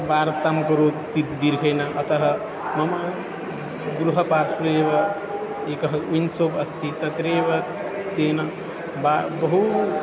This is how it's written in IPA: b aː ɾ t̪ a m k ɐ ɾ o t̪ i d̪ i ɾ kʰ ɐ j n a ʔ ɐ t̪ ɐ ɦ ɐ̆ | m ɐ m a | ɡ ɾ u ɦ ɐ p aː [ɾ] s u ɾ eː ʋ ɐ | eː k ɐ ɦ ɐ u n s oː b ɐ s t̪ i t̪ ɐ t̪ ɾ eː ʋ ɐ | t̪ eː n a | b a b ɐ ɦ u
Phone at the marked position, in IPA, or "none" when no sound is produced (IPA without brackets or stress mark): ɾ